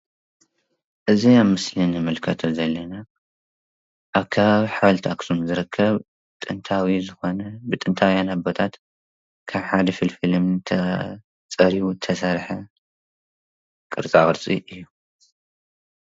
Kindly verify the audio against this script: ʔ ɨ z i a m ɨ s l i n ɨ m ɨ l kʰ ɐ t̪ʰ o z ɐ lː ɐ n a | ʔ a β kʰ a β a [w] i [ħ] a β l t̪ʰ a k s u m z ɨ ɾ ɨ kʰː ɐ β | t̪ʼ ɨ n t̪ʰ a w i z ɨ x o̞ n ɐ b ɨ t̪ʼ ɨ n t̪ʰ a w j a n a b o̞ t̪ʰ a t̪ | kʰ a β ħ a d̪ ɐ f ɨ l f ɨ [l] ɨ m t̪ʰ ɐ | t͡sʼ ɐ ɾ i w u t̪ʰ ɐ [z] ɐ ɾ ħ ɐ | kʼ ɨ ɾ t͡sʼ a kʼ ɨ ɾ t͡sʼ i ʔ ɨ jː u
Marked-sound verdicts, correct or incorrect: incorrect, correct, correct, incorrect

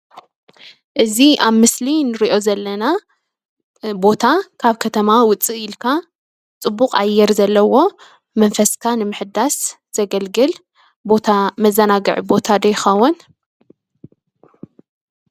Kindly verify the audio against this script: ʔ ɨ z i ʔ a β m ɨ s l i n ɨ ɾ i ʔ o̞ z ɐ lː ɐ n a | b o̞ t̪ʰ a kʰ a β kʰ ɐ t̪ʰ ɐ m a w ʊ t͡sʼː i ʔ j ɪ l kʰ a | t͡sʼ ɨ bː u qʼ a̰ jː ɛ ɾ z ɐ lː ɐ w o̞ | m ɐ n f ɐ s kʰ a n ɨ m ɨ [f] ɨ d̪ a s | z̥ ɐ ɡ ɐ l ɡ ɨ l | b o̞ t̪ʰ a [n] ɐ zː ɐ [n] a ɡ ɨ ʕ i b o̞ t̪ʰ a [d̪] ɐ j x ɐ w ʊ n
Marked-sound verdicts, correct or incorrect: incorrect, incorrect, correct, correct

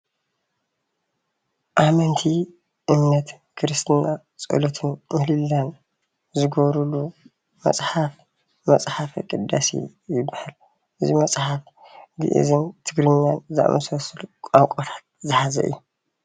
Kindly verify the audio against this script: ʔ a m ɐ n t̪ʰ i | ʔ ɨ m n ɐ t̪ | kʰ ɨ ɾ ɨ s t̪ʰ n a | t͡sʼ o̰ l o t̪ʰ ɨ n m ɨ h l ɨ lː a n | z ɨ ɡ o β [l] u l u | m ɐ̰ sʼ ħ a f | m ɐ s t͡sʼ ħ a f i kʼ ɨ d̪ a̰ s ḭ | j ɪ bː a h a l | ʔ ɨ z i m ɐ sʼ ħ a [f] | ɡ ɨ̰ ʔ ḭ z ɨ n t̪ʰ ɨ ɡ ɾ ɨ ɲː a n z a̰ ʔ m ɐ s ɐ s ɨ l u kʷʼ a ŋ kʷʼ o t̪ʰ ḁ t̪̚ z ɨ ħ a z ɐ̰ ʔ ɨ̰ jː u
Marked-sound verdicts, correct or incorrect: incorrect, correct

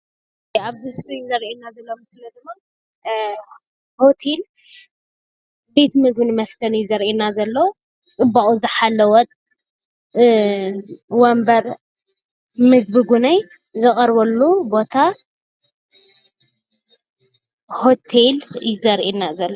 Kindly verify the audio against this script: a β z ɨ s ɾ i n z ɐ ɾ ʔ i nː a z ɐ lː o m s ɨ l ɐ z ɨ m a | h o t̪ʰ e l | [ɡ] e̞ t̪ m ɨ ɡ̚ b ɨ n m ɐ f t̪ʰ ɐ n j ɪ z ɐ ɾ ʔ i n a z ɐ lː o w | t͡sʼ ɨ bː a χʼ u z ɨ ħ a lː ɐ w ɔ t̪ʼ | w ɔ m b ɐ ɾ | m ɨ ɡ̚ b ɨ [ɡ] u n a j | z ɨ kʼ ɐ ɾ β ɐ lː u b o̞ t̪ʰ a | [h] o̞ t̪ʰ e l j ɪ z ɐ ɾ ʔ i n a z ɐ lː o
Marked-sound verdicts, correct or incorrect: incorrect, correct, correct

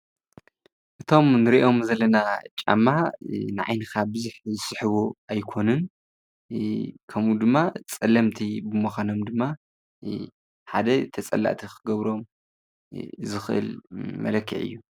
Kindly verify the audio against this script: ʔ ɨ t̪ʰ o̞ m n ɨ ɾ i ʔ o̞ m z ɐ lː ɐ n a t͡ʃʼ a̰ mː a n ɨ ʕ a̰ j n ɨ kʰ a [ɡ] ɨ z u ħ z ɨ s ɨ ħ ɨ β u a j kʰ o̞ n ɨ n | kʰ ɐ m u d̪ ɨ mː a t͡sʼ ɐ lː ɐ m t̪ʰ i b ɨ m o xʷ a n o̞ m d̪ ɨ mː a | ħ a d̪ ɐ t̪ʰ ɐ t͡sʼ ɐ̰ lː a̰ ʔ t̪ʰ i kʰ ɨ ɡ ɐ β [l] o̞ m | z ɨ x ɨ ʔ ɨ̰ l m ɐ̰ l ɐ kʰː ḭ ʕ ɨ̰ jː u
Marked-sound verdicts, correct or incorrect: incorrect, incorrect

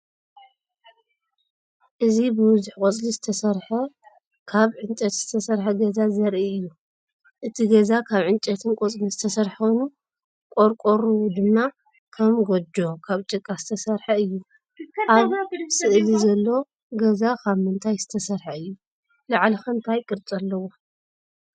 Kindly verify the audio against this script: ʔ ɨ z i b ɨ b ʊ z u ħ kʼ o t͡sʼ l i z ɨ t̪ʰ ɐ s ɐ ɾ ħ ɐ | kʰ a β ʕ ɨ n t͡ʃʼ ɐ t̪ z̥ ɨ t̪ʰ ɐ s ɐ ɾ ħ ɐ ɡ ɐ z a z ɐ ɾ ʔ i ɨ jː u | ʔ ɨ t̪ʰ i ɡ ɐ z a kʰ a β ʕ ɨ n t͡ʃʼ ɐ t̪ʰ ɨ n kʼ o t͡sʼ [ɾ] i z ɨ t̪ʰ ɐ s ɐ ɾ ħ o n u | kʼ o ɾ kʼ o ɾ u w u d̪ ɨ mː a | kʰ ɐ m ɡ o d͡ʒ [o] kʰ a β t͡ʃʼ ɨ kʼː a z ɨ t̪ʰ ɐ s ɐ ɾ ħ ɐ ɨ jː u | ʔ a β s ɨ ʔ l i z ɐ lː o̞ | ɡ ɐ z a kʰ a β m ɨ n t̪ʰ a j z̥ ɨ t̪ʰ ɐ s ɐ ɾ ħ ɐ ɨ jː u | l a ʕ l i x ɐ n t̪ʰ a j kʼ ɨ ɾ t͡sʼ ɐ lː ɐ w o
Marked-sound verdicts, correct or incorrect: incorrect, correct

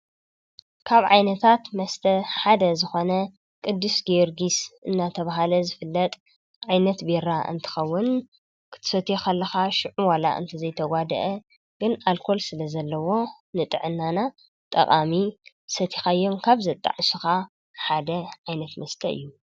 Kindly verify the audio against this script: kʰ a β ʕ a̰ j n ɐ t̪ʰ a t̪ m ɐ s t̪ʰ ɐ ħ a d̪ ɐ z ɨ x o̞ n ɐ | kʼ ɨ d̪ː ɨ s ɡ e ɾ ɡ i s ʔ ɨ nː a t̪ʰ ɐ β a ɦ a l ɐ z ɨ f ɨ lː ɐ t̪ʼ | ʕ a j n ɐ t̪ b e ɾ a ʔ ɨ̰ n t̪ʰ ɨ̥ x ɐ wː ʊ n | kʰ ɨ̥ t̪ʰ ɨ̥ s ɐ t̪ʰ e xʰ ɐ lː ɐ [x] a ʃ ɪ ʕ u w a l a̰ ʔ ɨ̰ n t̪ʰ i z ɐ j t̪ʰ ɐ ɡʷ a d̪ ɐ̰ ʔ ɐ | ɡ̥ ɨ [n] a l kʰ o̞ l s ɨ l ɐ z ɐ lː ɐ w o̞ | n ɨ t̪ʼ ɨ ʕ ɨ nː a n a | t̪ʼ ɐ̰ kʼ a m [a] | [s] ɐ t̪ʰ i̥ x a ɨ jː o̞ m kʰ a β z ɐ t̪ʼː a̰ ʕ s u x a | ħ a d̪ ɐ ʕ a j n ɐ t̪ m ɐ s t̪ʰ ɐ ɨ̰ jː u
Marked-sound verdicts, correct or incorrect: correct, correct, incorrect, correct

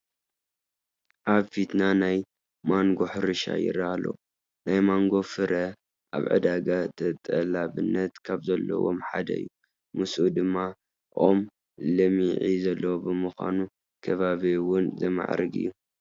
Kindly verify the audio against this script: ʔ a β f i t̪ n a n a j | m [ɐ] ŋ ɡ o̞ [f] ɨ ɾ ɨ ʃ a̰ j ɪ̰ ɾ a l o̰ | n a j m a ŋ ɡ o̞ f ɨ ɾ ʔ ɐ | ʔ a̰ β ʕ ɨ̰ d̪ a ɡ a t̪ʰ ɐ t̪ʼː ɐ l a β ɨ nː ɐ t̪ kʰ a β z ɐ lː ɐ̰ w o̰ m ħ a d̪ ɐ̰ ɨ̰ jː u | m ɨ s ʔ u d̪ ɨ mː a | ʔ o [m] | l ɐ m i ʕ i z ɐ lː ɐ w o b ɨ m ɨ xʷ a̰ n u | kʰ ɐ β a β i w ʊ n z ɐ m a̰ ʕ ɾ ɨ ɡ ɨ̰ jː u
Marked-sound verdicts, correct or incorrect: incorrect, incorrect, correct

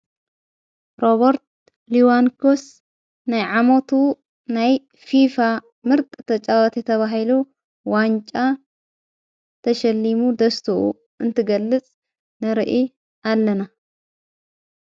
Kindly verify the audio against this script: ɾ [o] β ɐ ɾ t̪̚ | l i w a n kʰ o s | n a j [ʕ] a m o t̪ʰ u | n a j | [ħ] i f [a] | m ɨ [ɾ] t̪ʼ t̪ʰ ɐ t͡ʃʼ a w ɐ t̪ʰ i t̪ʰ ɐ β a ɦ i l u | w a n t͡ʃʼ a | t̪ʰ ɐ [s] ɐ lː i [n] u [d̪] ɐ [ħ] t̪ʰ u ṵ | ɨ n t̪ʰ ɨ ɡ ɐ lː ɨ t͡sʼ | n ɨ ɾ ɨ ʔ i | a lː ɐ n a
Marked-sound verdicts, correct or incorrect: correct, correct, incorrect, correct, correct, incorrect, incorrect, correct, incorrect

